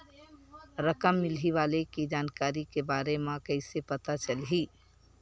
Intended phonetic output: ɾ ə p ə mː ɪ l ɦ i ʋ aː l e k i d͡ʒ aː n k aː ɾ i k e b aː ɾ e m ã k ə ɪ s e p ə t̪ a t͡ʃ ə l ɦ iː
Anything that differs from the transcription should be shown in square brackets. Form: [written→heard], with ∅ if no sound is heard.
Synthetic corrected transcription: ɾ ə [p→k] ə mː ɪ l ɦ i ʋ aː l e k i d͡ʒ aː n k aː ɾ i k e b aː ɾ e m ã k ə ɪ s e p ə t̪ a t͡ʃ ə l ɦ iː